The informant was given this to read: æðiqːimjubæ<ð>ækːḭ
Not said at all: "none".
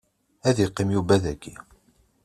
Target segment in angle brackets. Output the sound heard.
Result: ð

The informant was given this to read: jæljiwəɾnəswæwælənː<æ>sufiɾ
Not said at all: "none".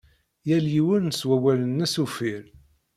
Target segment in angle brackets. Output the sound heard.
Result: æ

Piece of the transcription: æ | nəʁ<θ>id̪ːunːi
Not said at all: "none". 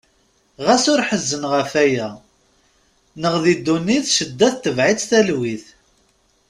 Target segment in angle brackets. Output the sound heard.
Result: ð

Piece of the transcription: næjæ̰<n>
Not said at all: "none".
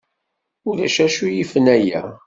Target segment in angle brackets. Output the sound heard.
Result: none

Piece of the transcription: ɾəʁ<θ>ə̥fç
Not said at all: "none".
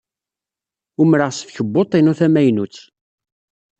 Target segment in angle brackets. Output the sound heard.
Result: s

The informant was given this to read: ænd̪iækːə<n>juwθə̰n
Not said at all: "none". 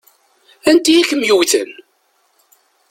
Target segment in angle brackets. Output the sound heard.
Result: m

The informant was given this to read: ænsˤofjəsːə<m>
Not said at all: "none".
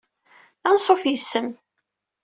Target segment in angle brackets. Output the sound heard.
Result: m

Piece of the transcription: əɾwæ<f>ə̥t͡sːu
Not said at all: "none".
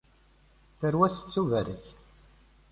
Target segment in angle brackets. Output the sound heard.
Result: s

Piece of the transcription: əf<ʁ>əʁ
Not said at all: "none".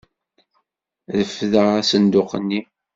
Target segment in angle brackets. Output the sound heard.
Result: ð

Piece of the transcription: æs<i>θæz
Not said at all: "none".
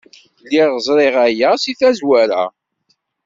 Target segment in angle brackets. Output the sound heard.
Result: i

